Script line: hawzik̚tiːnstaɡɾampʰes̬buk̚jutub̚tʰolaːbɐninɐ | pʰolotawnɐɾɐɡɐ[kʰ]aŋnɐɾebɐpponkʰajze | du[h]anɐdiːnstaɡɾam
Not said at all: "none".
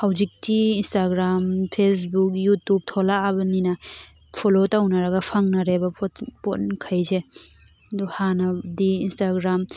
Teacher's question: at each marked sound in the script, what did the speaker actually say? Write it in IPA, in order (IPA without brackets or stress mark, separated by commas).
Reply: pʰ, h